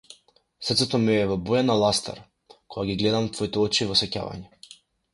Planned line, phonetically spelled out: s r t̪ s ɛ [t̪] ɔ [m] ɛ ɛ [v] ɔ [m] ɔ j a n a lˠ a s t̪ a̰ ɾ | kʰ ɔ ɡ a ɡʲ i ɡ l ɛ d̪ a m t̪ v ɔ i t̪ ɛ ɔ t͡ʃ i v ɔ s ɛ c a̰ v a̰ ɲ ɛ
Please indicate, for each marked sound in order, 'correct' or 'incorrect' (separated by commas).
correct, correct, correct, incorrect